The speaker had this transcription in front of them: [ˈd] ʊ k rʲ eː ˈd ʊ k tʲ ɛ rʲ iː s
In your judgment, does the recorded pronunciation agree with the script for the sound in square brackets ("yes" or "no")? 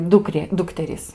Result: yes